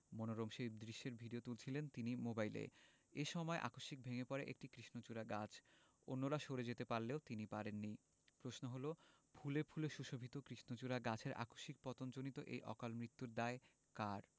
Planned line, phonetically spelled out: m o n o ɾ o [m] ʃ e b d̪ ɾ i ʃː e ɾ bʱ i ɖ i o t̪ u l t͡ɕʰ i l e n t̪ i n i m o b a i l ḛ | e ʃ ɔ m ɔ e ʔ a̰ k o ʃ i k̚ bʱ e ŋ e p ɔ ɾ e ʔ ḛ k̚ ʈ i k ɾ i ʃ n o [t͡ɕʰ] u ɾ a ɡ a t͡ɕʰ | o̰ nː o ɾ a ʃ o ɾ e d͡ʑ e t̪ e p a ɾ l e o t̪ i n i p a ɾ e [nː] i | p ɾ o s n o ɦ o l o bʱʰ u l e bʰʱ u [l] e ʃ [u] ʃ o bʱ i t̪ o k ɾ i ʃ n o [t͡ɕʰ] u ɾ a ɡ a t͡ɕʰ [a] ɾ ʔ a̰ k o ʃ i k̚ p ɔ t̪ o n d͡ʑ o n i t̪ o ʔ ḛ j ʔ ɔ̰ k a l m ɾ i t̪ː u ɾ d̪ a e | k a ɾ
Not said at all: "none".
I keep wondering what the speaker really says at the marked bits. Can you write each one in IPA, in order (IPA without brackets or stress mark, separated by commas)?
m, t͡ɕ, nː, l, u, t͡ɕ, e